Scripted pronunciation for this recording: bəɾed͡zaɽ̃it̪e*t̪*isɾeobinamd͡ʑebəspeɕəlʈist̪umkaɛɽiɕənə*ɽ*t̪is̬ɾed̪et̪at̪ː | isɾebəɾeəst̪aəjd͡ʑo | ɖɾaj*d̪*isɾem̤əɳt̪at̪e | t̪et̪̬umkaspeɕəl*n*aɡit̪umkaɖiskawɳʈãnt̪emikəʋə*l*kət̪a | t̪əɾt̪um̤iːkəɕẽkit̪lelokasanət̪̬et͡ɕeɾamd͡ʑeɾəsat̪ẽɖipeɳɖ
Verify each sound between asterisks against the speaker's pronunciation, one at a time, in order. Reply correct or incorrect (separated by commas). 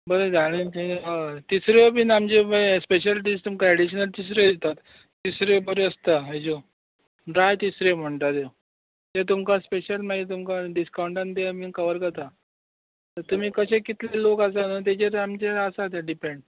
correct, incorrect, incorrect, incorrect, incorrect